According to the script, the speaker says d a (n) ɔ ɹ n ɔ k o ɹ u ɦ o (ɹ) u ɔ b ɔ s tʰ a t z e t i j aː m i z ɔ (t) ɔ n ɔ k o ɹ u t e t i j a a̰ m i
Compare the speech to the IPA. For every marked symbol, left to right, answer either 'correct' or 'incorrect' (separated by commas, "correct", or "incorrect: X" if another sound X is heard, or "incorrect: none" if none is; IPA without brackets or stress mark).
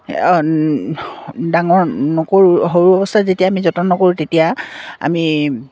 incorrect: ŋ, correct, correct